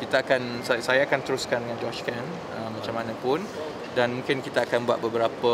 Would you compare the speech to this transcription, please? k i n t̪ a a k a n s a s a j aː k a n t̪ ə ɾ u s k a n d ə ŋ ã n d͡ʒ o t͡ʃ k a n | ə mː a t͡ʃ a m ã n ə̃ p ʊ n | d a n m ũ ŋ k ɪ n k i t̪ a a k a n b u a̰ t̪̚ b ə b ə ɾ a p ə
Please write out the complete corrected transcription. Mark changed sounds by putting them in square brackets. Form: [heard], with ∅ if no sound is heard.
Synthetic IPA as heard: k i [∅] t̪ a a k a n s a s a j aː k a n t̪ ə ɾ u s k a n d ə ŋ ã n d͡ʒ [ɔ] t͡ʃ k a n | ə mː a t͡ʃ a m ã n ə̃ p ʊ n | d a n m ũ ŋ k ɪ n k i t̪ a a k a n b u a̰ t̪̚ b ə b ə ɾ a p ə